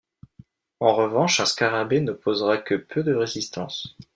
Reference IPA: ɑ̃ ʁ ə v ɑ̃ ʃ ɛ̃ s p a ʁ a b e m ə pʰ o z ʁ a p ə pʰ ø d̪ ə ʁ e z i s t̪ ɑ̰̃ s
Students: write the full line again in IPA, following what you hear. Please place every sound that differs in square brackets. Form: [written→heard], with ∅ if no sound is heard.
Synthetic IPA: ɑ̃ ʁ ə v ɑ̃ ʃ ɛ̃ s [p→k] a ʁ a b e [m→n] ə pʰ o z ʁ a [p→k] ə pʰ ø d̪ ə ʁ e z i s t̪ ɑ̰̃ s

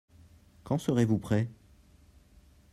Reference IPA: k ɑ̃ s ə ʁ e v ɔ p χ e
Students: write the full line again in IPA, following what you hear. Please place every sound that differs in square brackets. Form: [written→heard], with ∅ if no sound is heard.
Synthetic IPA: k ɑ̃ s ə ʁ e v [ɔ→u] p χ [e→ɛ]

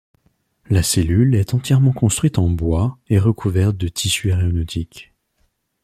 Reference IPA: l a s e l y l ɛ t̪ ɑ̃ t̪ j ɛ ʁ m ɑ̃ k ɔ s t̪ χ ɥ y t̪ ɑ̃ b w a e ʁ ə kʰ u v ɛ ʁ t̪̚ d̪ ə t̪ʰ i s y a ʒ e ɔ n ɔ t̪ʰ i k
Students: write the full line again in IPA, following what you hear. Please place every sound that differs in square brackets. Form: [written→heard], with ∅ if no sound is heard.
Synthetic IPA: l a s e l y l ɛ t̪ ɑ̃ t̪ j ɛ ʁ m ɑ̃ k [ɔ→ɔ̃] s t̪ χ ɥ [y→i] t̪ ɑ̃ b w a e ʁ ə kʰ u v ɛ ʁ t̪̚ d̪ ə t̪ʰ i s y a [ʒ→ʁ] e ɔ n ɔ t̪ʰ i k

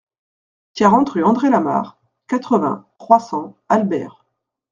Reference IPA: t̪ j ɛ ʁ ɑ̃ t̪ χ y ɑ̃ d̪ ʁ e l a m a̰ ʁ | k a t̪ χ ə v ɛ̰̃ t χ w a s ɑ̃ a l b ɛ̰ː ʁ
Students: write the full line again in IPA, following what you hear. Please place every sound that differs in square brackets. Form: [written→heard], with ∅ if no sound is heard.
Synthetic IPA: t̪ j [ɛ→a] ʁ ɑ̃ t̪ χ y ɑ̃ d̪ ʁ e l a m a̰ ʁ | k a t̪ χ ə v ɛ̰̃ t χ w a s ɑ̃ a l b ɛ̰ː ʁ

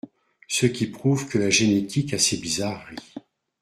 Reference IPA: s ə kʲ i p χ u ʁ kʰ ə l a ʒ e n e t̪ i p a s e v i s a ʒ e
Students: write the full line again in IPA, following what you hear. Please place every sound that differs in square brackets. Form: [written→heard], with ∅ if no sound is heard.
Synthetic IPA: s ə kʲ i p χ u [ʁ→v] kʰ ə l a ʒ e n e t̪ i [p→k] a s e [v→b] i [s→z] a [ʒ→ʁ] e

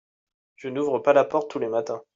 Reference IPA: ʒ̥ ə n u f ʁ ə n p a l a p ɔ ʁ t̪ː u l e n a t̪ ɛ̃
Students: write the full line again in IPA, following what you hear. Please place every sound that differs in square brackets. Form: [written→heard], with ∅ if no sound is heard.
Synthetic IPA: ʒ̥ ə n u [f→v] ʁ ə [n→∅] p a l a p ɔ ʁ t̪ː u l e [n→m] a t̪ ɛ̃

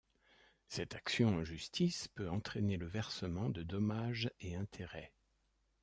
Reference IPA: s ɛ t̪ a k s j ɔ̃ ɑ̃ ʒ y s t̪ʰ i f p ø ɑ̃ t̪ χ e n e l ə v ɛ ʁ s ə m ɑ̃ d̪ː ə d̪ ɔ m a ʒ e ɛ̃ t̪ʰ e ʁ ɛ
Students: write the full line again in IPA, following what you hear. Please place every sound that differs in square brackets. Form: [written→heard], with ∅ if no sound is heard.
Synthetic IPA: s ɛ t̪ a k s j ɔ̃ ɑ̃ ʒ y s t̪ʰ i [f→s] p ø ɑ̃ t̪ χ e n e l ə v ɛ ʁ s ə m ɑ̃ [d̪ː→d̪] ə d̪ ɔ m a ʒ e ɛ̃ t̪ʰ e ʁ ɛ

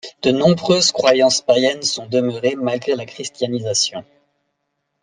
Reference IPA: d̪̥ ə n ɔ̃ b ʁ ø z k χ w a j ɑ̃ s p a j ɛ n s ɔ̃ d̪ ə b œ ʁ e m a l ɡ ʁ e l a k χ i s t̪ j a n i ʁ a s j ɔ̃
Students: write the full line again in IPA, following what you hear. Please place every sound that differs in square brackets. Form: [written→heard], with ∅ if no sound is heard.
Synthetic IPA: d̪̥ ə n ɔ̃ b ʁ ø z k χ w a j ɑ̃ s p a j ɛ n s ɔ̃ d̪ ə [b→m] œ ʁ e m a l ɡ ʁ e l a k χ i s t̪ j a n i [ʁ→z] a s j ɔ̃

